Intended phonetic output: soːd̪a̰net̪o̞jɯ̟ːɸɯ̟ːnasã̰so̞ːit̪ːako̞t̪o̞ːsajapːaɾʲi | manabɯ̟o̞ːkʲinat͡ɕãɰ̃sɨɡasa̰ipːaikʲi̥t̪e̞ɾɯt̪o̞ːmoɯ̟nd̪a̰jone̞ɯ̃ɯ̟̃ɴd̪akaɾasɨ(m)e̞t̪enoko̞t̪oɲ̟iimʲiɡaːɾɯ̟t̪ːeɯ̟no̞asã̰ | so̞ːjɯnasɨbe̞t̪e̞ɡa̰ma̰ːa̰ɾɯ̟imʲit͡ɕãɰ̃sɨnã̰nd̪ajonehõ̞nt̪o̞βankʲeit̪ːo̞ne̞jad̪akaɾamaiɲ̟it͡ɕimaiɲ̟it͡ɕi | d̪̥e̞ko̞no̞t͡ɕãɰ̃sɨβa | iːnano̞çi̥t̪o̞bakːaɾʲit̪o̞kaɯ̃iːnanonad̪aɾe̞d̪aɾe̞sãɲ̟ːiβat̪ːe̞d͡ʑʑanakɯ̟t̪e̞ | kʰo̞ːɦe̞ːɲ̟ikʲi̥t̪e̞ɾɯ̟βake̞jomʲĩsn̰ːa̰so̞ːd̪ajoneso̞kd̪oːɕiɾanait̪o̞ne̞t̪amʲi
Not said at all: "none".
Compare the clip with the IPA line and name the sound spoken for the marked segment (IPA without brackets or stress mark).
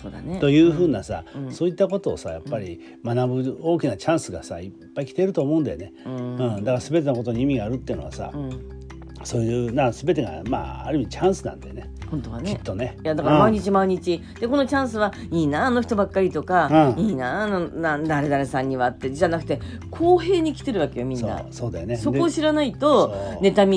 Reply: b